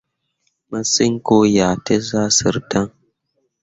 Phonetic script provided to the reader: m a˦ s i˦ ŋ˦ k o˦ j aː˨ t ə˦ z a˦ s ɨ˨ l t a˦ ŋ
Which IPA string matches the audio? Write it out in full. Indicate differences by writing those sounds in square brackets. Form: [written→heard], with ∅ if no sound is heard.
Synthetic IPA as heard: m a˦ s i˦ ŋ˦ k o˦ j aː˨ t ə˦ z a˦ s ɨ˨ [l→ɾ] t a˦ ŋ